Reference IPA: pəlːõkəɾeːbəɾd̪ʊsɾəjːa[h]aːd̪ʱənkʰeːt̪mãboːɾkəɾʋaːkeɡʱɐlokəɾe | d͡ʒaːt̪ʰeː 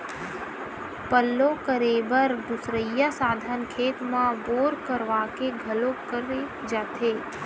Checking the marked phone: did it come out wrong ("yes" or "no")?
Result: yes